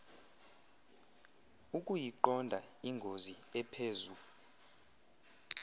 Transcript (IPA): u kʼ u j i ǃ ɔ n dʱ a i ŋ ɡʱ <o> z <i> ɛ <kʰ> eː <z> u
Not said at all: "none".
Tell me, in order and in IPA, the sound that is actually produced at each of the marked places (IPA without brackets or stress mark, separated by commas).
o, i, pʰ, z